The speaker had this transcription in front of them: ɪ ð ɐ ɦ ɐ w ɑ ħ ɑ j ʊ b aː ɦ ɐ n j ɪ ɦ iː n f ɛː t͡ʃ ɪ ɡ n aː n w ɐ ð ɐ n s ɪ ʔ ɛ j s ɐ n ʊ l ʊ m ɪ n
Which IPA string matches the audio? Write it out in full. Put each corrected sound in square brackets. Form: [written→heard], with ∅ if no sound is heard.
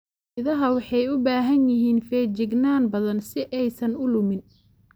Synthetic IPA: ɪ ð ɐ ɦ ɐ w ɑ ħ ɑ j ʊ b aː ɦ ɐ n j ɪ ɦ iː n f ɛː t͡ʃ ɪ ɡ n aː n [w→b] ɐ ð ɐ n s ɪ ʔ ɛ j s ɐ n ʊ l ʊ m ɪ n